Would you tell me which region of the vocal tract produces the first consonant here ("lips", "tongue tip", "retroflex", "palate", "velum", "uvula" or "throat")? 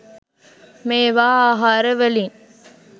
lips